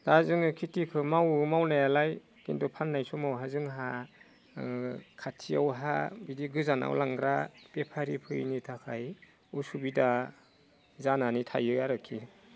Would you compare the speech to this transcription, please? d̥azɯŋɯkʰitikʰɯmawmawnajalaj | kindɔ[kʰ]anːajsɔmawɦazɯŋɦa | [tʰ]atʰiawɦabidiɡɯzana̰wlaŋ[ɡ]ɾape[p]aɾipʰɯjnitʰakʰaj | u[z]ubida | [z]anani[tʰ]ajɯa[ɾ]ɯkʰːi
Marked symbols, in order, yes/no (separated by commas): no, no, yes, no, no, yes, yes, yes